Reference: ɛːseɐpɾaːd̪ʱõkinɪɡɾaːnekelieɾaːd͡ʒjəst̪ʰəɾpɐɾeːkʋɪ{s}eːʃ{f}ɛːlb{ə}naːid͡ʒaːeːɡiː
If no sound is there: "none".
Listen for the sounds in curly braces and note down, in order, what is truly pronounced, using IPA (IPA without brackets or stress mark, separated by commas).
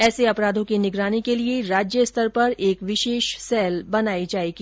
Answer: ʃ, s, ɐ